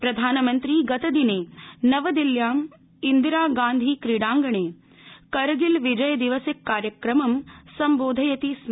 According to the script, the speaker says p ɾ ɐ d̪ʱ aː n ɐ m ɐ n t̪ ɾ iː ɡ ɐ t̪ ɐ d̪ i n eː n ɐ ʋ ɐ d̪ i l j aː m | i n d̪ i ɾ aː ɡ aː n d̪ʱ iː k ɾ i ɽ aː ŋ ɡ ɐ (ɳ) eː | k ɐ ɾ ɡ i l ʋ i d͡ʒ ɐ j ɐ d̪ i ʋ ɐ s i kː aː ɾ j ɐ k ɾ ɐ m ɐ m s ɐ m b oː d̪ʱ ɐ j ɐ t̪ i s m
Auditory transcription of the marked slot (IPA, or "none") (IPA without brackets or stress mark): ɳ